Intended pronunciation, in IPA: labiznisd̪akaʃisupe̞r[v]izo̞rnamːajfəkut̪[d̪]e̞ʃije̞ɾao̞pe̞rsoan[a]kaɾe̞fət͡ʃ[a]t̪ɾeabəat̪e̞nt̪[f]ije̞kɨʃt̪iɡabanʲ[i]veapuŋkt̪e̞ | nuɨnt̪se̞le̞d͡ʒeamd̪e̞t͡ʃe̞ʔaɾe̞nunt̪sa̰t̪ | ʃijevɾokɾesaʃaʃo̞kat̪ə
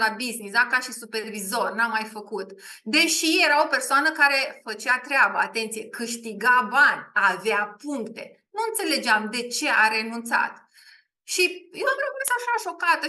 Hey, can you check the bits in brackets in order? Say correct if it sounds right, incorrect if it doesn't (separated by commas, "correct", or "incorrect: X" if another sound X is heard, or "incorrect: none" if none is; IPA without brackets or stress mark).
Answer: correct, correct, incorrect: ə, correct, incorrect: s, incorrect: a